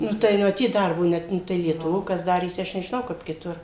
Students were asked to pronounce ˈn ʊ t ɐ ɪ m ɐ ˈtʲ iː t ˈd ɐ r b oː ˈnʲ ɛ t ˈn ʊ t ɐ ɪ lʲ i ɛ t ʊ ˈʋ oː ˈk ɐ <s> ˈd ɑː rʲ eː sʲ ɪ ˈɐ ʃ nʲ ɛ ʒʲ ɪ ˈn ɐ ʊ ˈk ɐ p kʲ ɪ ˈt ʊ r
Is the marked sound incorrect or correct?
correct